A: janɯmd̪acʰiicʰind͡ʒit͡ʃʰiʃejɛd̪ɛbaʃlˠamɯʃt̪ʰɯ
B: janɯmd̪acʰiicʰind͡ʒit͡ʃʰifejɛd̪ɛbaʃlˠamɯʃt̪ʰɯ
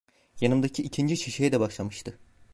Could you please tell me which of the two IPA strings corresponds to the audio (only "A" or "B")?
A